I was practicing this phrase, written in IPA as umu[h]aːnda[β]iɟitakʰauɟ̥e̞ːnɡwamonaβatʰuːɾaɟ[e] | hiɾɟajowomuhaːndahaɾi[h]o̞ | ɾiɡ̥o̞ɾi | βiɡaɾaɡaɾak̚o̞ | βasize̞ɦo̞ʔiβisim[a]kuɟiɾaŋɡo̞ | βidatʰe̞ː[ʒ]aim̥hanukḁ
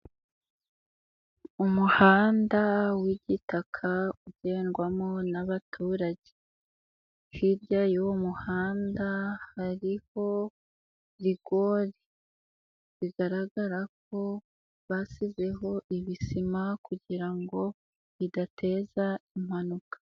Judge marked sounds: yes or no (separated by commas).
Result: yes, no, yes, yes, yes, no